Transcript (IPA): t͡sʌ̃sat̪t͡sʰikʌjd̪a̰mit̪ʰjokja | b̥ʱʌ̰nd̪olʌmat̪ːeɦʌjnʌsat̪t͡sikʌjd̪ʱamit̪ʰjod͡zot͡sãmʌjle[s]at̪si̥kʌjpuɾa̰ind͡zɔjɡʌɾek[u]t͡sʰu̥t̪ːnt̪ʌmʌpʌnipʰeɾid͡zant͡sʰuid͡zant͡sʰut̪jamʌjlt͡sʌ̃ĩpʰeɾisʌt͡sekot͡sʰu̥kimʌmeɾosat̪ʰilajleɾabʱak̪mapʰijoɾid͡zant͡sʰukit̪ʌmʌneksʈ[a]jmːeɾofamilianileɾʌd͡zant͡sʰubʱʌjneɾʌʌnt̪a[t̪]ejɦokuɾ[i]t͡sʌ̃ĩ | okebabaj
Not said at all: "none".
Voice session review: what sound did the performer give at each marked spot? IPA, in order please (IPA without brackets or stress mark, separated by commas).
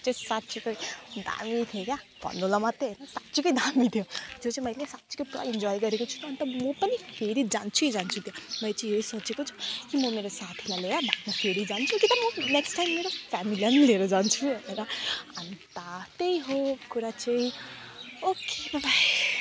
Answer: s, o, a, t̪, a